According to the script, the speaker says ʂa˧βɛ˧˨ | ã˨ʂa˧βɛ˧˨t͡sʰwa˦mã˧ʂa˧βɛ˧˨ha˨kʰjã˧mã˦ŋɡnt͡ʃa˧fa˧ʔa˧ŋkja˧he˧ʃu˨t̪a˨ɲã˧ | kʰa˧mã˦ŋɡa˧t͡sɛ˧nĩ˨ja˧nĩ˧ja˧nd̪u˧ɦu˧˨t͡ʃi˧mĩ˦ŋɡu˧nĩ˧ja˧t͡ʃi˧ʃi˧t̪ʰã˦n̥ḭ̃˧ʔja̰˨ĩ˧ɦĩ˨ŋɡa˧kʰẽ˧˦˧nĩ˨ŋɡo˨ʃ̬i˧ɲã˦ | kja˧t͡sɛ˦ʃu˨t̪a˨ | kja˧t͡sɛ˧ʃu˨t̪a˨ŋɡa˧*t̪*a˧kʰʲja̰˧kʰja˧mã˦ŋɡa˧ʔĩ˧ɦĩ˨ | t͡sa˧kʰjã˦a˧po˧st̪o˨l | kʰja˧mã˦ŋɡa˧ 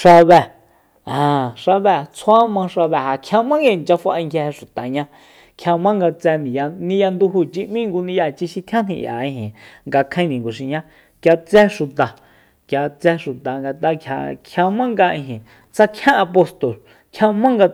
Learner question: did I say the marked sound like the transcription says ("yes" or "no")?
yes